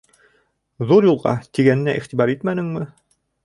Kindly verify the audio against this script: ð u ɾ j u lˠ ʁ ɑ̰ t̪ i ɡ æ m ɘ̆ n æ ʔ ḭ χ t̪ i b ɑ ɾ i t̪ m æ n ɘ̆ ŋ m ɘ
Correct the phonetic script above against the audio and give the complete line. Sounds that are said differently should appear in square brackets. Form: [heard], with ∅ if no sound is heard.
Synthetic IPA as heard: ð u ɾ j u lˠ ʁ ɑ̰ t̪ i ɡ æ [n] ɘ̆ n æ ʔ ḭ χ t̪ i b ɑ ɾ i t̪ m æ n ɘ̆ ŋ m ɘ